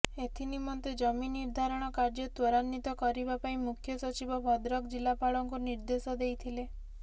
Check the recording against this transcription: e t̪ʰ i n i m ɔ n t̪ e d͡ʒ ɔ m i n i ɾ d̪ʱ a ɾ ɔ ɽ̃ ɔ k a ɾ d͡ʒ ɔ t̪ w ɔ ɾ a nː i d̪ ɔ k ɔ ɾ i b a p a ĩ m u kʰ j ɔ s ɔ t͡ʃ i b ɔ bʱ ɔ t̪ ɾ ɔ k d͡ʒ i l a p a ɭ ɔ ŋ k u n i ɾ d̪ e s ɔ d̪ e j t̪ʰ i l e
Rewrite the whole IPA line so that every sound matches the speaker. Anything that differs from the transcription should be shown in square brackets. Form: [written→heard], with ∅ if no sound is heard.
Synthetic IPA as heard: e t̪ʰ i n i m ɔ n t̪ e d͡ʒ ɔ m i n i ɾ d̪ʱ a ɾ ɔ ɽ̃ ɔ k a ɾ d͡ʒ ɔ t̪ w ɔ ɾ a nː i [d̪→t̪] ɔ k ɔ ɾ i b a p a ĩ m u kʰ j ɔ s ɔ t͡ʃ i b ɔ bʱ ɔ [t̪→d̪] ɾ ɔ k d͡ʒ i l a p a ɭ ɔ ŋ k u n i ɾ d̪ e s ɔ d̪ e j t̪ʰ i l e